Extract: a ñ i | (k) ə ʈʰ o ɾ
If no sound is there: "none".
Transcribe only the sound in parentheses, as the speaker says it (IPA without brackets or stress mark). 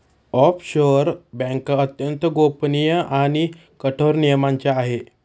k